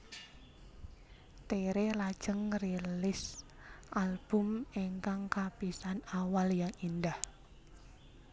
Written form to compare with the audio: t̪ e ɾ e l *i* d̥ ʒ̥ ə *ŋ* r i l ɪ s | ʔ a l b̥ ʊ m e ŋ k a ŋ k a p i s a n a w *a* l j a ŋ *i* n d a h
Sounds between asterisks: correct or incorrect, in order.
incorrect, correct, correct, correct

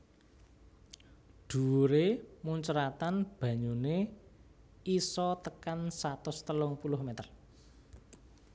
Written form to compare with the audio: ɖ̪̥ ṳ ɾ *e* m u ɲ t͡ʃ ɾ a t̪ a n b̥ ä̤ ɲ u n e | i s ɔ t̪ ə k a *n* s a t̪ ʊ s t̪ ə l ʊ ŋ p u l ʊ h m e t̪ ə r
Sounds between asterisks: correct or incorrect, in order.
correct, correct

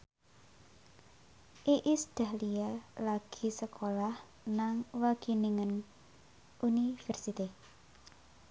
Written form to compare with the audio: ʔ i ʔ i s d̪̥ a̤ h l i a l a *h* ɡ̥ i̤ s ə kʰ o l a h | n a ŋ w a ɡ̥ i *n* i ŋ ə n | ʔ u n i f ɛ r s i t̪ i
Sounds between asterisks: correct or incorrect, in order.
incorrect, correct

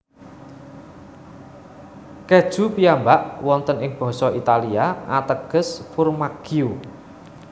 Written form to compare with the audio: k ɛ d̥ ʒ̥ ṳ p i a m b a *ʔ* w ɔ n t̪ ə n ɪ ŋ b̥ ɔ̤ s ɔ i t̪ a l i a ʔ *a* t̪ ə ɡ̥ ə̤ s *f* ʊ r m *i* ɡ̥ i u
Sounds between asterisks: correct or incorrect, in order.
correct, correct, correct, incorrect

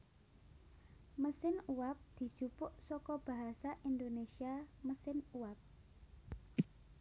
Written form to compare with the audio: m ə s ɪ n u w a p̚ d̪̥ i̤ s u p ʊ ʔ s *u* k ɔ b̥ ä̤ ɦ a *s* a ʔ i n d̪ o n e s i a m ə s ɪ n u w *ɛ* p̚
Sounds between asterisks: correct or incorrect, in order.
incorrect, correct, incorrect

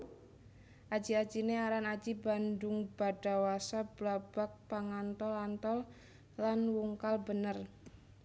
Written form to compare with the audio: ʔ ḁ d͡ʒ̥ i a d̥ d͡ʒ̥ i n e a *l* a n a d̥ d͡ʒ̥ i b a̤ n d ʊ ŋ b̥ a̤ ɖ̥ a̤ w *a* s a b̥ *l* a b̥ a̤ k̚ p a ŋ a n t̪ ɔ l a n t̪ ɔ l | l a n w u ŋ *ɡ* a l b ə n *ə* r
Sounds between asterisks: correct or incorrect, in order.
incorrect, correct, correct, incorrect, correct

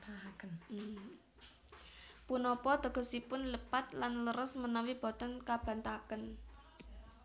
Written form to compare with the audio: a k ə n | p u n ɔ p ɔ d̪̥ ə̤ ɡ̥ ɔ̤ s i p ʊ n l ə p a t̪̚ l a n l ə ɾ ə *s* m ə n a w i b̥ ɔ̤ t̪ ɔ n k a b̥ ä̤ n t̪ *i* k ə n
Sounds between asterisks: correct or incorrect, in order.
correct, incorrect

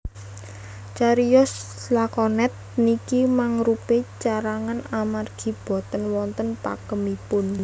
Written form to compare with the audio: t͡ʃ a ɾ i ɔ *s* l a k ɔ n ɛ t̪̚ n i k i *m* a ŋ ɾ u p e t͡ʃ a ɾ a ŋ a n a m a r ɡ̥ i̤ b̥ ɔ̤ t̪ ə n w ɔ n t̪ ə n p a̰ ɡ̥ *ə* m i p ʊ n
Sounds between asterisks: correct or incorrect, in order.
correct, correct, correct

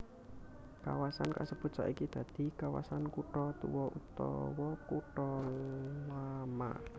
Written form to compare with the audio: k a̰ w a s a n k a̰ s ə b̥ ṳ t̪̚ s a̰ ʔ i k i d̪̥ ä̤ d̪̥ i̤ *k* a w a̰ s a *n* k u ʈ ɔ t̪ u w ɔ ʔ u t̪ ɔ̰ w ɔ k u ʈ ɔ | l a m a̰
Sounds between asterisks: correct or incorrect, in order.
correct, correct

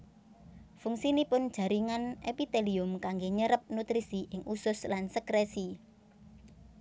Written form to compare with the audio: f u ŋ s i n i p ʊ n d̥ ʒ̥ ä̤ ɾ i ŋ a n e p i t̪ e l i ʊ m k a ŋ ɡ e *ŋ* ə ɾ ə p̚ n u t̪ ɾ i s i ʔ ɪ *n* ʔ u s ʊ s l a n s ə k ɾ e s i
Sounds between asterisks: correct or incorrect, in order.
incorrect, incorrect

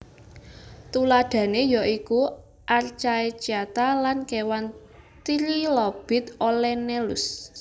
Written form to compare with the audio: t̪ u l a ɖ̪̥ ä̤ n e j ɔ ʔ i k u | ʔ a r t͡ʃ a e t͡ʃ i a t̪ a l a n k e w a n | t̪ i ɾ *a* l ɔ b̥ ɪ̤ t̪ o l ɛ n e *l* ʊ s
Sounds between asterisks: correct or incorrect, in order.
incorrect, correct

